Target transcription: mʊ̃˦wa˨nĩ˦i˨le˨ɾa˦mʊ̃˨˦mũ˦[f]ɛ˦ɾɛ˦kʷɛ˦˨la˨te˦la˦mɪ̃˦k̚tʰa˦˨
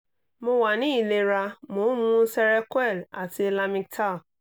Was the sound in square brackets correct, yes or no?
no